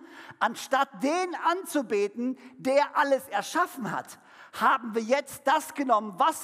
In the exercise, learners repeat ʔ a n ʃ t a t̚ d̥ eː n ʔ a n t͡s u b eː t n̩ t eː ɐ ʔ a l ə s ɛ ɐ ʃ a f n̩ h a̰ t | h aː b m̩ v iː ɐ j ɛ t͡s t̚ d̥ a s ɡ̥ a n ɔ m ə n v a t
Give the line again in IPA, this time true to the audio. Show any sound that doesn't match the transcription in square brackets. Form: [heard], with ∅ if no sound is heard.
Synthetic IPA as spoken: ʔ a n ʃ t a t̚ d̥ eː n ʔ a n t͡s u b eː t n̩ [d] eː ɐ ʔ a l ə s ɛ ɐ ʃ a f n̩ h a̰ t | h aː b m̩ v iː ɐ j ɛ t͡s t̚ d̥ a s ɡ̥ [ə] n ɔ m ə n v a [s]